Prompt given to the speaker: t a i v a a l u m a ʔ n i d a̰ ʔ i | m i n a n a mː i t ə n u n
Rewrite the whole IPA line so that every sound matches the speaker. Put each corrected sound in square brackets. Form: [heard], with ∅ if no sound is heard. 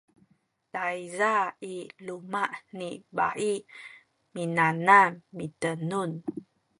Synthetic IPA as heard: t a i [z] a [i] l u m a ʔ n i [b] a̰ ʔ i | m i n a n a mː i t ə n u n